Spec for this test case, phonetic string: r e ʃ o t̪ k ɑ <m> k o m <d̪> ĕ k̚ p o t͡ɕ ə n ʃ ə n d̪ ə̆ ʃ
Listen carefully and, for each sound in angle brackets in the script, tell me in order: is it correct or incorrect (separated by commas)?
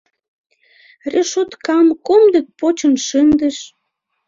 correct, correct